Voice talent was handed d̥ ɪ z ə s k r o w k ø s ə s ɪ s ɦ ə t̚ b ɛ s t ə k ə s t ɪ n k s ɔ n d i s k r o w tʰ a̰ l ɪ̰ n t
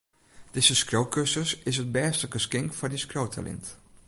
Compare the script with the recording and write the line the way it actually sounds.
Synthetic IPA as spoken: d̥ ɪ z ə s k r o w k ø s ə s ɪ s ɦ ə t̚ b ɛː s t ə k ə s k ɪ ŋ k f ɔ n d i s k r o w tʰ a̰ l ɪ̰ n t